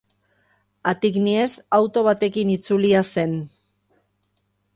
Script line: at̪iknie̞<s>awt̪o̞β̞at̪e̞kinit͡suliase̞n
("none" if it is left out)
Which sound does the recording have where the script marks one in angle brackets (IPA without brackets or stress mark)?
s